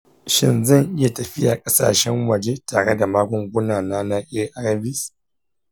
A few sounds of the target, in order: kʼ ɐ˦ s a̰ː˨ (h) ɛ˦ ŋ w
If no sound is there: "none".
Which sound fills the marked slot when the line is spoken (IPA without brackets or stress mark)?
ʃ